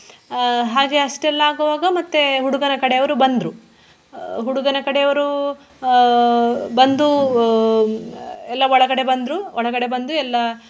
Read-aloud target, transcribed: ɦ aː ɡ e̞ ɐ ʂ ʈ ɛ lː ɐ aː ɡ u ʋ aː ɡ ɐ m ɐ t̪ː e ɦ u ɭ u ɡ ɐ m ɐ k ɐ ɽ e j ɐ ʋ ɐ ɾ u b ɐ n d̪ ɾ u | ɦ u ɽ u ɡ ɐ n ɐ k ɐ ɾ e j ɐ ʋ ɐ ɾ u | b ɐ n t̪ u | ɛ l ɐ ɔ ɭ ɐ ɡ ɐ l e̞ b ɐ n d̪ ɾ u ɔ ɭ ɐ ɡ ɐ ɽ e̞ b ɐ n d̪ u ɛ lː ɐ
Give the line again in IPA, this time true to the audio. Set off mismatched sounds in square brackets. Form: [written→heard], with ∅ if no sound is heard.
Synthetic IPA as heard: ɦ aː ɡ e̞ ɐ ʂ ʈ ɛ lː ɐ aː ɡ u ʋ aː ɡ ɐ m ɐ t̪ː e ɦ u [ɭ→ɽ] u ɡ ɐ [m→n] ɐ k ɐ ɽ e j ɐ ʋ ɐ ɾ u b ɐ n d̪ ɾ u | ɦ u ɽ u ɡ ɐ n ɐ k ɐ [ɾ→ɽ] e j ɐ ʋ ɐ ɾ u | b ɐ n [t̪→d̪] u | ɛ [l→lː] ɐ ɔ ɭ ɐ ɡ ɐ [l→ɽ] e̞ b ɐ n d̪ ɾ u ɔ ɭ ɐ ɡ ɐ ɽ e̞ b ɐ n d̪ u ɛ lː ɐ